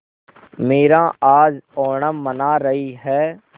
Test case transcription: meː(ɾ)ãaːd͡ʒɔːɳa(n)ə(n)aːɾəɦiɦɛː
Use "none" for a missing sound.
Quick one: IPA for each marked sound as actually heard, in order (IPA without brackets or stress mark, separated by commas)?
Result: ɾ, m, n